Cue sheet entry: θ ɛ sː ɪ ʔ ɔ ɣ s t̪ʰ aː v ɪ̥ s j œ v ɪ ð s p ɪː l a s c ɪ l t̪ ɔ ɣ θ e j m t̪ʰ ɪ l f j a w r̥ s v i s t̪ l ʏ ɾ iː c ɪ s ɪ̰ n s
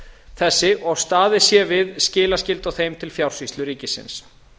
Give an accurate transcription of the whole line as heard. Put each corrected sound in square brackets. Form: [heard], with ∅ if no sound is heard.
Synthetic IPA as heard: θ ɛ sː ɪ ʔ ɔ ɣ s [t̪] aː [ð] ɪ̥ s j [ɛ] v ɪ ð s [c] ɪː l a s c ɪ l t̪ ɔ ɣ θ e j m t̪ʰ ɪ l f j a w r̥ s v i s t̪ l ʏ ɾ iː c ɪ s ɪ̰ n s

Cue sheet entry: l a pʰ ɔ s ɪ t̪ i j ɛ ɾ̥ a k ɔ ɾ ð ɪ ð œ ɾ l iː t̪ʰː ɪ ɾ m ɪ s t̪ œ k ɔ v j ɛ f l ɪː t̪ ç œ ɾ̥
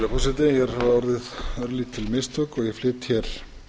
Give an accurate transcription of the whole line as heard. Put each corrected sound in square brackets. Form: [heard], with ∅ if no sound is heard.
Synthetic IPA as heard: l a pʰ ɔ s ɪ t̪ [ɪ] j ɛ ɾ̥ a [∅] ɔ ɾ ð ɪ ð œ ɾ l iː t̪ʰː ɪ [l] m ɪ s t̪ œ k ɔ [ɣ] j ɛ f l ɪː t̪ ç [ɛ] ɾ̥

